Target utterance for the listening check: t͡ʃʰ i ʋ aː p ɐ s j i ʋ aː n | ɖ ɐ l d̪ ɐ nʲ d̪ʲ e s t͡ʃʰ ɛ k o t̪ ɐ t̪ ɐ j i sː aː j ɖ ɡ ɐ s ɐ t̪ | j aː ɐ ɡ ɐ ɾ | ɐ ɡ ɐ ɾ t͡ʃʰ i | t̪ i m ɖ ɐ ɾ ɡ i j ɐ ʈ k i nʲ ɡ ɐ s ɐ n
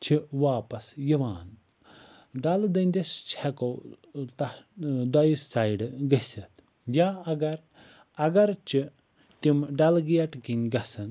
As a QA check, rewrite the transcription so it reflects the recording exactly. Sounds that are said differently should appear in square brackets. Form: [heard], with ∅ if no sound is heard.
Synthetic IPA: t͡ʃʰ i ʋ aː p ɐ s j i ʋ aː n | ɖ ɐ l d̪ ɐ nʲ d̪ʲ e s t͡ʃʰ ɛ k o t̪ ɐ [d̪] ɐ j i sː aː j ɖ ɡ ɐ s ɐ t̪ | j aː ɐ ɡ ɐ ɾ | ɐ ɡ ɐ ɾ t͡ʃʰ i | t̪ i m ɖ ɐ [l] ɡ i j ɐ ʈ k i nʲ ɡ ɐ s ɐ n